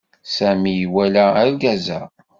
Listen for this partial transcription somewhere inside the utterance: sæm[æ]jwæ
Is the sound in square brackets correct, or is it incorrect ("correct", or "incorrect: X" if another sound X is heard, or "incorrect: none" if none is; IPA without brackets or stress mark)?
incorrect: i